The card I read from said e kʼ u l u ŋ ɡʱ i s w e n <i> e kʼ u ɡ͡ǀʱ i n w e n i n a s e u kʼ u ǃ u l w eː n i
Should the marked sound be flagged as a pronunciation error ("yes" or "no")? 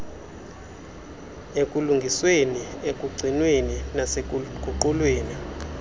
no